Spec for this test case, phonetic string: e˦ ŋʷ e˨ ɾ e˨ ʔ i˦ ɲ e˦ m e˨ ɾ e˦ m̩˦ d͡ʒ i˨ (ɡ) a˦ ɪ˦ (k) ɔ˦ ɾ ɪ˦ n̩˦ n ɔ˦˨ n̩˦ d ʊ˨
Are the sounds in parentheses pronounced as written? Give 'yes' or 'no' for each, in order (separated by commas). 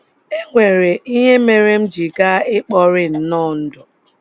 yes, no